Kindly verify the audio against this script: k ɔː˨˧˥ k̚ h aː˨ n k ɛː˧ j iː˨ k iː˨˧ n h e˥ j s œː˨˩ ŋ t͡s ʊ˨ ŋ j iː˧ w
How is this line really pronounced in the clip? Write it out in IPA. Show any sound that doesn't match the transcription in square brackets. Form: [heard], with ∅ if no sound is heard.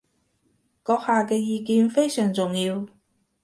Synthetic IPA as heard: k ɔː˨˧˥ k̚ h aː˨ [∅] k ɛː˧ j iː˨ k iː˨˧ n [f] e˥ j s œː˨˩ ŋ t͡s ʊ˨ ŋ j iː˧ w